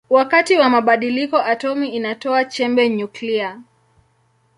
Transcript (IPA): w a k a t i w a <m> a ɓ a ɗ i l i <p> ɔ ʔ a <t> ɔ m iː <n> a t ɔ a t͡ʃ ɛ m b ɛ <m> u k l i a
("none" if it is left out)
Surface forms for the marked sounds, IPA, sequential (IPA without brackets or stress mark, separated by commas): m, k, t, n, ɲ